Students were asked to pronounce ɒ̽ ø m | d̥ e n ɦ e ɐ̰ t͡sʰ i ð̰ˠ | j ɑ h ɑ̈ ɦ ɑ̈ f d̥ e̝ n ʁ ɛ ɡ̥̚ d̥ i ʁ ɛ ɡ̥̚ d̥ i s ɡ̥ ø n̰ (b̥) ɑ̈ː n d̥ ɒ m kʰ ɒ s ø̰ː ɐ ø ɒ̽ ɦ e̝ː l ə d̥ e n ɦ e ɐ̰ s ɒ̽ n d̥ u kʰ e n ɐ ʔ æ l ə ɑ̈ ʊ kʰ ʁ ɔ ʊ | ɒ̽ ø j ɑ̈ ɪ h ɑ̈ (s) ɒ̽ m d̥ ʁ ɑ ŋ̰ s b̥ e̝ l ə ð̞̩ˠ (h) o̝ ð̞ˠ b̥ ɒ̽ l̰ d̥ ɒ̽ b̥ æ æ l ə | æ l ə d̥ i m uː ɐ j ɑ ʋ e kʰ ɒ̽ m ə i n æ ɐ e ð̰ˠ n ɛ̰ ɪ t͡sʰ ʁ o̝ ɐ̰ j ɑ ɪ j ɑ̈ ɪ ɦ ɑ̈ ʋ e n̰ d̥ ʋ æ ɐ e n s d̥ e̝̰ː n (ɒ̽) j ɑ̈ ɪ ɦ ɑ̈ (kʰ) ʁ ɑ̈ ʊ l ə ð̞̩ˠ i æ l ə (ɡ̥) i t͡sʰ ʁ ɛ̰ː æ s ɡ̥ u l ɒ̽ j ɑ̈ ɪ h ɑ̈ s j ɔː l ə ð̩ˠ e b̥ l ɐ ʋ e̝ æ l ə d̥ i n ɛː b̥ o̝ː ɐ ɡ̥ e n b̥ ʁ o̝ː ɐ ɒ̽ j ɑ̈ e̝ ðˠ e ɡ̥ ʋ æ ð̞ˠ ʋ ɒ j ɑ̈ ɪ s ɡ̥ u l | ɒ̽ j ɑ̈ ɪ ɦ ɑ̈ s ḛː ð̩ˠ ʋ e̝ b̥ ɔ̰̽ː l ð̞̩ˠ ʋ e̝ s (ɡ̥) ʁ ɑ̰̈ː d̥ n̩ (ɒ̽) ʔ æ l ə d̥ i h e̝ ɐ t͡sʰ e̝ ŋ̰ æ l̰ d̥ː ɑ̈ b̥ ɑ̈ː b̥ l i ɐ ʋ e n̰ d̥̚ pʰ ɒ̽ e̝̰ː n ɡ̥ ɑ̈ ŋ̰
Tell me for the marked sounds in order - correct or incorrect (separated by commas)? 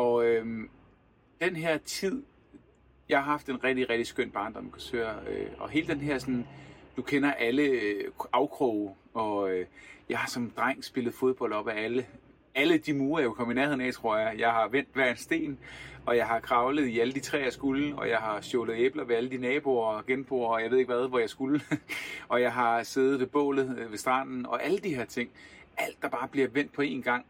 correct, correct, incorrect, correct, correct, incorrect, incorrect, correct